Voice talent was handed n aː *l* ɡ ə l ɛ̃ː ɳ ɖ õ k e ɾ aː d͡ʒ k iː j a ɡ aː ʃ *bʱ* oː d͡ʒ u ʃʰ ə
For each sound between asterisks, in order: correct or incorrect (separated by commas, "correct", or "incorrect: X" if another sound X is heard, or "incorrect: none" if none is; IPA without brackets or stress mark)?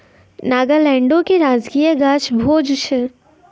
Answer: incorrect: none, correct